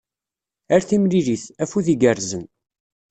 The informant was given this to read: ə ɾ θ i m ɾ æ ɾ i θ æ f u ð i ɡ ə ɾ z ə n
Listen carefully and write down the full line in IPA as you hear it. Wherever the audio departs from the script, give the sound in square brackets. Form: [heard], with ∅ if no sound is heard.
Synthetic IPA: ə ɾ θ i m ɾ [i] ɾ i θ æ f u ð i ɡ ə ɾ z ə n